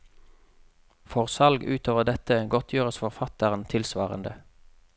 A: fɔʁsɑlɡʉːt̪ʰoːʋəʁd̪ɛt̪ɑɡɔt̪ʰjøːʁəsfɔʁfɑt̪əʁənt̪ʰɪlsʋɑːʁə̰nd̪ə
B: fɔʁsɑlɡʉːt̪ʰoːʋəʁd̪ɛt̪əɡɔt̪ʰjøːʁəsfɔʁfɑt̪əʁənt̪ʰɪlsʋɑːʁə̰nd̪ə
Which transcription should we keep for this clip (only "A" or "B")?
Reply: B